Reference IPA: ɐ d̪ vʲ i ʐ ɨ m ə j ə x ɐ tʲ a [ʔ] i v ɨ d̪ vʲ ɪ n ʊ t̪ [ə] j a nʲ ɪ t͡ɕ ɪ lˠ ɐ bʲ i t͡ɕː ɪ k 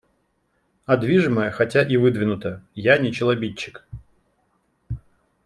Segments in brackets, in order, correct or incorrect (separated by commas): correct, correct